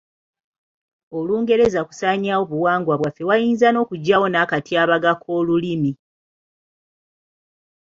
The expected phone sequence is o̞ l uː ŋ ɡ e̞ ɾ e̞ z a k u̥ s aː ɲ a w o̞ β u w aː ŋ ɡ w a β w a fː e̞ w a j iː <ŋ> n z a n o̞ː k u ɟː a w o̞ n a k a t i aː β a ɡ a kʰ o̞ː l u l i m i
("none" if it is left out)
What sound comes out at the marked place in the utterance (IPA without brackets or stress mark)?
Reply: none